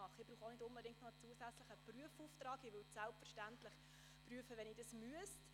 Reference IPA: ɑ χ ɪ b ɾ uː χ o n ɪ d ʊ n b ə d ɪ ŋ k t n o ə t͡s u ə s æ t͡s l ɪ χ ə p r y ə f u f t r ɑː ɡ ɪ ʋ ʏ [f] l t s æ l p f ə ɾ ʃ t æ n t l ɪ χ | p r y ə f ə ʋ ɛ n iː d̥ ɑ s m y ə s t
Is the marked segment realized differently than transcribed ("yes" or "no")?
yes